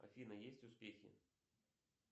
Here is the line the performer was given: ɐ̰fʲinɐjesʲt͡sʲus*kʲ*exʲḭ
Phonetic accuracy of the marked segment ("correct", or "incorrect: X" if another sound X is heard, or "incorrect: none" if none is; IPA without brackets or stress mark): incorrect: pʲ